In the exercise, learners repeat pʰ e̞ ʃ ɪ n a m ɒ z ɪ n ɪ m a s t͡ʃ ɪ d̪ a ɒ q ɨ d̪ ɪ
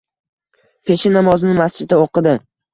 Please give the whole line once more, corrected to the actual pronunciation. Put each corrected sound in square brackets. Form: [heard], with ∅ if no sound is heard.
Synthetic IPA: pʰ e̞ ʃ ɪ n a m ɒ z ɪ n ɪ m a s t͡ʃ ɪ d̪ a [o] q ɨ d̪ ɪ

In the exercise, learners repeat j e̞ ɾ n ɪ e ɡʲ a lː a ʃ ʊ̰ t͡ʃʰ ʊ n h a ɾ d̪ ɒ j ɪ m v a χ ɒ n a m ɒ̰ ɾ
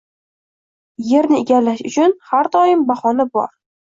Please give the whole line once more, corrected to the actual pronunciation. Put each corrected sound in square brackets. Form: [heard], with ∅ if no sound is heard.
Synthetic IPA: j e̞ ɾ n ɪ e ɡʲ a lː a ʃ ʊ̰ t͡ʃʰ ʊ n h a ɾ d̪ ɒ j ɪ m [b] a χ ɒ n a [b] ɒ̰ ɾ

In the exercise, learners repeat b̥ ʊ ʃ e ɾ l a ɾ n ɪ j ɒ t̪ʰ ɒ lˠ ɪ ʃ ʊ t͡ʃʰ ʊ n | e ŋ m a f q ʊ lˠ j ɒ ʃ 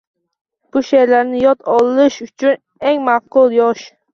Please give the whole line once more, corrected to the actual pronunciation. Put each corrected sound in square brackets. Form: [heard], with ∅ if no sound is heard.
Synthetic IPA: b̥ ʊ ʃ e ɾ l a ɾ n ɪ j ɒ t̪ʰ ɒ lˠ ɪ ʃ ʊ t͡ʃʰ ʊ n | e ŋ m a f q ʊ lˠ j ɒ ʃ

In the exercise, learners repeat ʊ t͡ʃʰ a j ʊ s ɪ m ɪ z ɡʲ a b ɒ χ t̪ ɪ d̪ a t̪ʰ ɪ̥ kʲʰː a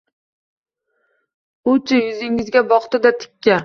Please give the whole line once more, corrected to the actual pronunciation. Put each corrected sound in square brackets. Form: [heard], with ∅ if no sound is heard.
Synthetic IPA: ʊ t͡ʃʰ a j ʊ [z] ɪ [ŋ] ɪ z ɡʲ a b ɒ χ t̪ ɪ d̪ a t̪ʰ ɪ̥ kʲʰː a

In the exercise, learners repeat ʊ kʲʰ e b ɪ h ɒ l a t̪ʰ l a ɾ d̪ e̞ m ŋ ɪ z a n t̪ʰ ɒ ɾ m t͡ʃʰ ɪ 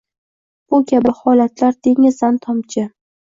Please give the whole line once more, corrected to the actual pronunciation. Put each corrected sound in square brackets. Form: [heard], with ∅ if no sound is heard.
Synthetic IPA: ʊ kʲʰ [a] b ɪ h ɒ l a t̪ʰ l a ɾ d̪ e̞ [∅] ŋ ɪ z a n t̪ʰ ɒ [∅] m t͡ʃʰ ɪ

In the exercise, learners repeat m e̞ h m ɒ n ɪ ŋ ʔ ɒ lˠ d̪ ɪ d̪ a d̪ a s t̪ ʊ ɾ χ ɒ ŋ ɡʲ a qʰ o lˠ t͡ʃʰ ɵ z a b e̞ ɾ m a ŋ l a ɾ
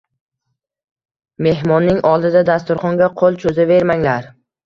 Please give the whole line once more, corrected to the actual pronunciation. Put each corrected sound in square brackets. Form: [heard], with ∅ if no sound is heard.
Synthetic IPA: m e̞ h m ɒ [nː] ɪ ŋ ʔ ɒ lˠ d̪ ɪ d̪ a d̪ a s t̪ ʊ ɾ χ ɒ ŋ ɡʲ a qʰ o lˠ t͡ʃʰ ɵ z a [v] e̞ ɾ m a ŋ l a ɾ

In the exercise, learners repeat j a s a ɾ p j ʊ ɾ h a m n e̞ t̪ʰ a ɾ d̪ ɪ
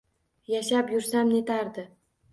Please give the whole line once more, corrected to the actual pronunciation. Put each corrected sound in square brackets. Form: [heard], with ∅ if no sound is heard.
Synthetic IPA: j a [ʃ] a [∅] p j ʊ ɾ [s] a m n e̞ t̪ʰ a ɾ d̪ ɪ

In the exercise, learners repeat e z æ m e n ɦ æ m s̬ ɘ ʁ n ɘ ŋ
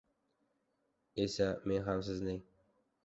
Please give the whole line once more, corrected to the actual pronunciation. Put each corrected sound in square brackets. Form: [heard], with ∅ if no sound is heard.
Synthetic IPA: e [s] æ m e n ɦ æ m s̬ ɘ [z] n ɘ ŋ

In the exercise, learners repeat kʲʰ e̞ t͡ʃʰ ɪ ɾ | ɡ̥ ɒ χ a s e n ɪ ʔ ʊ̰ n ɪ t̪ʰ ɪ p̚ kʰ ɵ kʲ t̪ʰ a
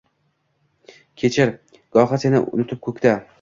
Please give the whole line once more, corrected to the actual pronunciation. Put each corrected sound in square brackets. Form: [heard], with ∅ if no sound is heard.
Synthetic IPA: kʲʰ e̞ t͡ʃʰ ɪ ɾ | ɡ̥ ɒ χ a s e n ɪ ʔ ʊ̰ n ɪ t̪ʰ ɪ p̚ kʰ ɵ kʲ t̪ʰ a

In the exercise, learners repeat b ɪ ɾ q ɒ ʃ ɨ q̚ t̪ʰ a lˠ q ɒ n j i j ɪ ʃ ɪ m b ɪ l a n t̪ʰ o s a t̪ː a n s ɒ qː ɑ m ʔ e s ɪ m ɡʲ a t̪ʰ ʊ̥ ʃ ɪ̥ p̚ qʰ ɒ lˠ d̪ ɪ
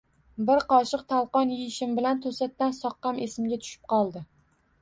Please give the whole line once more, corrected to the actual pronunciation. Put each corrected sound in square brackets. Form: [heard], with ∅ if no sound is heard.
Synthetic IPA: b ɪ ɾ q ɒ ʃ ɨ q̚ t̪ʰ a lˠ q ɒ n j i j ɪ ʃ ɪ m b ɪ l a n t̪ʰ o s a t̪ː a n s ɒ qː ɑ m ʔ e s ɪ m ɡʲ a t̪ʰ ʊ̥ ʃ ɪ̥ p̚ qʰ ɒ lˠ d̪ ɪ

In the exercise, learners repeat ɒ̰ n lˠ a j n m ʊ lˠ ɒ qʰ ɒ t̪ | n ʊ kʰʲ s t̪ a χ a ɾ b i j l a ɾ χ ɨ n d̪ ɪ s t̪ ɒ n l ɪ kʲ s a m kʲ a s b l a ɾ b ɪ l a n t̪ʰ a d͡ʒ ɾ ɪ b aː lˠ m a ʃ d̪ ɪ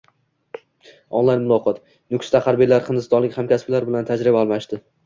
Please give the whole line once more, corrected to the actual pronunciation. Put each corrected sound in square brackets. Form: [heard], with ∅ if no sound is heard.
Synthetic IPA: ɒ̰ n lˠ a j n m ʊ lˠ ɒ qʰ ɒ t̪ | n ʊ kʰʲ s t̪ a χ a ɾ b i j l a ɾ χ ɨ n d̪ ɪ s t̪ ɒ n l ɪ kʲ [h] a m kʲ a s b l a ɾ b ɪ l a n t̪ʰ a d͡ʒ ɾ ɪ b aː lˠ m a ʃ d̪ ɪ

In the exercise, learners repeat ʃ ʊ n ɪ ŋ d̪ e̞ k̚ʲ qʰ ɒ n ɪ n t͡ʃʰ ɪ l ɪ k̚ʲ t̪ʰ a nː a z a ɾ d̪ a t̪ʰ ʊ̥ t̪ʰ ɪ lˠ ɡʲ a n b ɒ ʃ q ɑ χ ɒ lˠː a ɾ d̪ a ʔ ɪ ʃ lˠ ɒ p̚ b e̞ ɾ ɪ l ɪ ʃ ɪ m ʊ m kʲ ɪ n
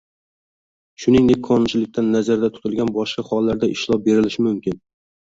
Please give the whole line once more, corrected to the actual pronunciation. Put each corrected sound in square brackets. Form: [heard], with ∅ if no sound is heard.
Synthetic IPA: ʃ ʊ n ɪ ŋ d̪ e̞ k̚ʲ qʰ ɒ n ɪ n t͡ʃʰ ɪ l ɪ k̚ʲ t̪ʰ a nː a z a ɾ d̪ a t̪ʰ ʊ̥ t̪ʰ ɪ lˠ ɡʲ a n b ɒ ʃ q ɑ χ ɒ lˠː a ɾ d̪ a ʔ ɪ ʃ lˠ ɒ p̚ b e̞ ɾ ɪ l ɪ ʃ ɪ m ʊ m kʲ ɪ n

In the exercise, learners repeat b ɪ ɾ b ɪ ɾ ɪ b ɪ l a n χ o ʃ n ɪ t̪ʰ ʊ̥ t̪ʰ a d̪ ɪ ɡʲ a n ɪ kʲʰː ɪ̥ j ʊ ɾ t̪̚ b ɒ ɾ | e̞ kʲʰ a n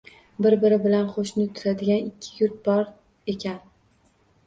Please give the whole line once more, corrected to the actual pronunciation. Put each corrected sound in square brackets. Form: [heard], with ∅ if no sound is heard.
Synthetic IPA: b ɪ ɾ b ɪ ɾ ɪ b ɪ l a n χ o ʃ n ɪ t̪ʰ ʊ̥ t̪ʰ a d̪ ɪ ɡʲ a n ɪ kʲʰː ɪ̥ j ʊ ɾ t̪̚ b ɒ ɾ | e̞ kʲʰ a n

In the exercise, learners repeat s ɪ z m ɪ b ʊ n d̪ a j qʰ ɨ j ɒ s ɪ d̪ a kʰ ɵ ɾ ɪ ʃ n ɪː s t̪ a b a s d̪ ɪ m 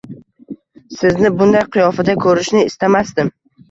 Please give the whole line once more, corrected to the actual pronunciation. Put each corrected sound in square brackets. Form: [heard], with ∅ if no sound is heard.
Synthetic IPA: s ɪ z [n] ɪ b ʊ n d̪ a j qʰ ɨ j ɒ [f] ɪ d̪ a kʰ ɵ ɾ ɪ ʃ n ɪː s t̪ a [m] a s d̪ ɪ m

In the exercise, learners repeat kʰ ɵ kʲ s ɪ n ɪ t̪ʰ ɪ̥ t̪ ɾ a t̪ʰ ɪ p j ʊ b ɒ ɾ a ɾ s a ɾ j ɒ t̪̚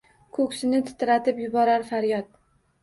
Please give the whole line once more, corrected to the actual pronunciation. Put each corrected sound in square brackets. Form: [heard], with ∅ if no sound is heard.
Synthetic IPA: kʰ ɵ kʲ s ɪ n ɪ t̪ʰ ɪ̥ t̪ ɾ a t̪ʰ ɪ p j ʊ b ɒ ɾ a ɾ [f] a ɾ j ɒ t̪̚

